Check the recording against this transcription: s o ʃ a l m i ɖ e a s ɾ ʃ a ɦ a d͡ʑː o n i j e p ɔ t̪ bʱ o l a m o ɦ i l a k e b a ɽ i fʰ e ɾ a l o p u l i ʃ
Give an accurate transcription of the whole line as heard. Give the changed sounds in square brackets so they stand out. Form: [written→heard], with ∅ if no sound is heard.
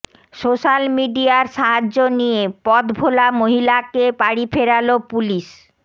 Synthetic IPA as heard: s o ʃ a l m i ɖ [e→i] a [s→∅] ɾ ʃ a ɦ a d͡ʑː o n i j e p ɔ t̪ bʱ o l a m o ɦ i l a k e [b→p] a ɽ i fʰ e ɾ a l o p u l i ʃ